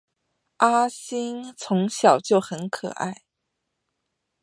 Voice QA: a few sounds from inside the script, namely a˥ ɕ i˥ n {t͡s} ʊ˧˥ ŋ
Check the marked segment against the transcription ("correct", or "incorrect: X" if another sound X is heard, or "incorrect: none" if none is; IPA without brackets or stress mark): incorrect: t͡sʰ